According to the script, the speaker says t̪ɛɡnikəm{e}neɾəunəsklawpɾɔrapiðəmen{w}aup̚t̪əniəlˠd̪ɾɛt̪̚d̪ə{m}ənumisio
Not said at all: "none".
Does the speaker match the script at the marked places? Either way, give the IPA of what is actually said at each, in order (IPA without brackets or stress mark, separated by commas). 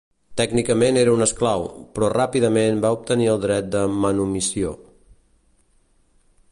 e, b, m